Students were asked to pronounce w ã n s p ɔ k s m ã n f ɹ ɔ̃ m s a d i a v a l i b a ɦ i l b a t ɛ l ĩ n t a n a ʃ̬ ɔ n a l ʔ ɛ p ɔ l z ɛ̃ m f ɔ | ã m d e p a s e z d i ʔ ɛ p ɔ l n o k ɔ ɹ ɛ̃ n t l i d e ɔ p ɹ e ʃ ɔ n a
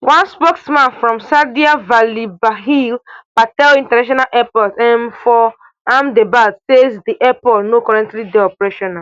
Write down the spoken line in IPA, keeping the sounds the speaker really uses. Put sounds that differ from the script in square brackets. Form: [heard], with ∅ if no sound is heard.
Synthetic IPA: w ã n s p ɔ k s m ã n f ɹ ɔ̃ m s a d i a v a l i b a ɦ i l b a t ɛ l ĩ n t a n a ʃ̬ ɔ n a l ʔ ɛ p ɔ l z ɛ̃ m f ɔ | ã m d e [b] a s e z d i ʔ ɛ p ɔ l n o k ɔ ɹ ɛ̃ n t l i d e ɔ p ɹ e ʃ ɔ n a